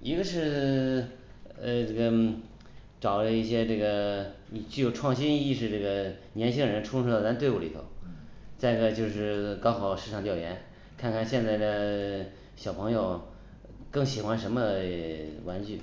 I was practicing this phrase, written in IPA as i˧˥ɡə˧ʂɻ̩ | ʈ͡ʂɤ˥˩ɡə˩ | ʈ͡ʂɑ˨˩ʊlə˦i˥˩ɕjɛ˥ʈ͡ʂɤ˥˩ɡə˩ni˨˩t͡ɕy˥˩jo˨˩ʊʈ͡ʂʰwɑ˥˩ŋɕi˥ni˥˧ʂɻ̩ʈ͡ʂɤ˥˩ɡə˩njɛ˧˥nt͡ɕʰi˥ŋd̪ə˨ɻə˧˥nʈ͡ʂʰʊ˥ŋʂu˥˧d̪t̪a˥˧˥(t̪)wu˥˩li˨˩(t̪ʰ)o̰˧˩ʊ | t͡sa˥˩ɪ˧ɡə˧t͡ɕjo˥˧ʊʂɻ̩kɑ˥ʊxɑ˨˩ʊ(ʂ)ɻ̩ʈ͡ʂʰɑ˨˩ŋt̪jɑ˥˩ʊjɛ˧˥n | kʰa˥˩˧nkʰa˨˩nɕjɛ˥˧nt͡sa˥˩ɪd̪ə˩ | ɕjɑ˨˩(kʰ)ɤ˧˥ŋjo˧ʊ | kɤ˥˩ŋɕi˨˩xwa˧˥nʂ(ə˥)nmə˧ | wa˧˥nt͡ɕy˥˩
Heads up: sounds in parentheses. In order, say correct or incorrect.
correct, correct, correct, incorrect: pʰ, incorrect: ə˧˥

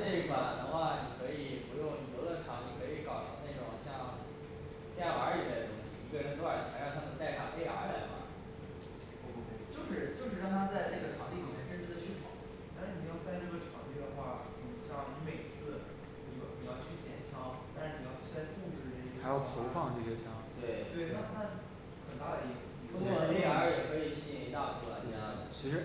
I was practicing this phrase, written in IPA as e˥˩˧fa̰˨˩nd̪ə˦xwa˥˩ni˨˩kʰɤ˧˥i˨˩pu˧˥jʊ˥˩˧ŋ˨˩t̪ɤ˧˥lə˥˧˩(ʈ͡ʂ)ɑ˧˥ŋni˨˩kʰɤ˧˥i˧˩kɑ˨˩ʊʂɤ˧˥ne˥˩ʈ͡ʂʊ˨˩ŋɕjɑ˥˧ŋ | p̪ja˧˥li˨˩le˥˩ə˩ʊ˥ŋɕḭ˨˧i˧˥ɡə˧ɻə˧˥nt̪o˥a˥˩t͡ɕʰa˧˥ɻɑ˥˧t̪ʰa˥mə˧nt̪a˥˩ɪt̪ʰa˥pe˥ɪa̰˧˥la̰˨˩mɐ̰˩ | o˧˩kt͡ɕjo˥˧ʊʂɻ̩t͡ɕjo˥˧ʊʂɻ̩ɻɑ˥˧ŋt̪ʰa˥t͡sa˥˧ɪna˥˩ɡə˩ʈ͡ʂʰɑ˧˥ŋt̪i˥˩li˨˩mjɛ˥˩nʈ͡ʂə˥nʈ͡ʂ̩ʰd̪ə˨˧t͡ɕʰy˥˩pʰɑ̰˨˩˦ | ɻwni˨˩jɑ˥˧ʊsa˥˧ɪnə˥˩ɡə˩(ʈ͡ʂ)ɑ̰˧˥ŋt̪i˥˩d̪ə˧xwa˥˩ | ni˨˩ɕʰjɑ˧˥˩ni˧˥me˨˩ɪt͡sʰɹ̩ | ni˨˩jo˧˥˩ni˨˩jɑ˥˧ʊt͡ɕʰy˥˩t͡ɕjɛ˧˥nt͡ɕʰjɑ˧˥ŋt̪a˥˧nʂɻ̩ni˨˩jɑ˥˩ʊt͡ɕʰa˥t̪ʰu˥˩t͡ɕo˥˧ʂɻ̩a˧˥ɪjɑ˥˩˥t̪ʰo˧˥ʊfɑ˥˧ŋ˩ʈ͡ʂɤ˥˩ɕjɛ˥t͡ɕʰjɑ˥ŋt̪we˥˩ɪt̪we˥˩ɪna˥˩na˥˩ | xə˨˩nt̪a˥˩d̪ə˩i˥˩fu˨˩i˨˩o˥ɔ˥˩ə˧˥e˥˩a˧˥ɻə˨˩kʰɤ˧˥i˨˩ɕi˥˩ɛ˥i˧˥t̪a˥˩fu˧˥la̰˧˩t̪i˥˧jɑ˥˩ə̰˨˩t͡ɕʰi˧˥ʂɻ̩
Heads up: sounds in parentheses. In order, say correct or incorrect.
incorrect: ʈ͡ʂʰ, incorrect: ʈ͡ʂʰ

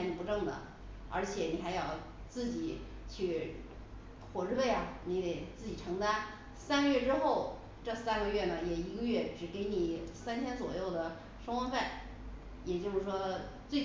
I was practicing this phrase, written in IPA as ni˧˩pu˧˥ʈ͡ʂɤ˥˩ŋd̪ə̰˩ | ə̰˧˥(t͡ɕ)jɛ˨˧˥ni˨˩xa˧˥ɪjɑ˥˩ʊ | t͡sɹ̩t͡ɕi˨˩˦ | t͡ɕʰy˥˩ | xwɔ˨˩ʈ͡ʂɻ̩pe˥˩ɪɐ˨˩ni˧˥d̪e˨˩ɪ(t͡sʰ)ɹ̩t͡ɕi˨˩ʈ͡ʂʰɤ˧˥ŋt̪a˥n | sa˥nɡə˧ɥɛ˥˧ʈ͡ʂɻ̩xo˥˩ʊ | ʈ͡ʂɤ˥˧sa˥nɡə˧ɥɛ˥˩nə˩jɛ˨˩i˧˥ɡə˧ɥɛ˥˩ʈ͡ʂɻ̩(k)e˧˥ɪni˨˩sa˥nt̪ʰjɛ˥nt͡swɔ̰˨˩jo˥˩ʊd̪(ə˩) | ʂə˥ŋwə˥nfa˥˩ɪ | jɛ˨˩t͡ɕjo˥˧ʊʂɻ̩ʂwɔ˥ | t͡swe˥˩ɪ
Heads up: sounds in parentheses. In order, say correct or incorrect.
incorrect: t͡ɕʰ, incorrect: t͡s, correct, correct

